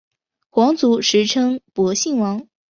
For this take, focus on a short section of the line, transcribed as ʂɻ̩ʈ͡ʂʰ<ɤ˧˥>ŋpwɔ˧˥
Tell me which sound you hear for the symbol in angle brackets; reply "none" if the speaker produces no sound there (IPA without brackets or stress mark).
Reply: ɤ˥